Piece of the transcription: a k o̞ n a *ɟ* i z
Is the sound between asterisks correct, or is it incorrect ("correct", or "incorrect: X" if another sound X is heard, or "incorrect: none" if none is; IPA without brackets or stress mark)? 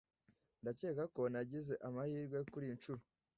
correct